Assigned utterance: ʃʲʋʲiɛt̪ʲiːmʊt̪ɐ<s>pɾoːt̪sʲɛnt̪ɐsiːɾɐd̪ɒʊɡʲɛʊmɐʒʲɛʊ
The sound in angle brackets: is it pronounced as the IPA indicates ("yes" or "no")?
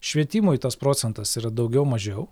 yes